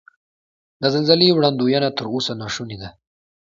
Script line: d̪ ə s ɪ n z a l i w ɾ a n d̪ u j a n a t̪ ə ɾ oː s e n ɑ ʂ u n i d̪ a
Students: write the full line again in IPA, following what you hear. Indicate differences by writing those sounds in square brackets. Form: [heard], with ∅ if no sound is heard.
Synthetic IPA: d̪ ə [z] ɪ n z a l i w [ɽ] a n d̪ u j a n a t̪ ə ɾ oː s [a] n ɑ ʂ u n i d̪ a

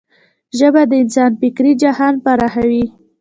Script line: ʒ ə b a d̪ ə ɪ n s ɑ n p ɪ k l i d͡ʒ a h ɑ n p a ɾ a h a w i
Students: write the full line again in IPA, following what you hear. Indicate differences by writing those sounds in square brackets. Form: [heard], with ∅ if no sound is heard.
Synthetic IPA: ʒ ə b a d̪ ə ɪ n s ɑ n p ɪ k [ɾ] i d͡ʒ a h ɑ n p a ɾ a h a w i

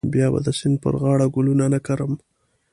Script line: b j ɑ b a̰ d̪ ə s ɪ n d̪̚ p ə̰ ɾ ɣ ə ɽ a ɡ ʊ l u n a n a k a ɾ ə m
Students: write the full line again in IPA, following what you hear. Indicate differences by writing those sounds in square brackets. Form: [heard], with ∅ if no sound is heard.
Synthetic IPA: b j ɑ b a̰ d̪ ə s ɪ n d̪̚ p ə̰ ɾ ɣ [ɑ] ɽ a ɡ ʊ l u n a n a k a ɾ ə m

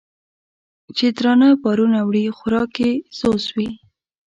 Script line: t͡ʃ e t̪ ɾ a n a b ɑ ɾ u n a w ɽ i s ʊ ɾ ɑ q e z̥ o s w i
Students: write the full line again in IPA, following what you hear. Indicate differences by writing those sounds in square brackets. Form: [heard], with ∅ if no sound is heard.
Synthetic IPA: t͡ʃ e [d̪] ɾ [ɑ] n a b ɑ ɾ u n a w ɽ i [x] ʊ ɾ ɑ [k] e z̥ o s w i

